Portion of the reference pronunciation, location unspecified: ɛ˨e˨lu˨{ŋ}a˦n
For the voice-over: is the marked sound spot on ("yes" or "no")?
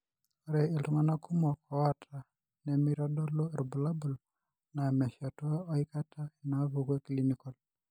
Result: yes